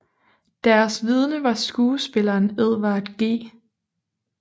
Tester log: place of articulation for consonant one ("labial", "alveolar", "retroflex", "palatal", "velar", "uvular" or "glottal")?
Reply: alveolar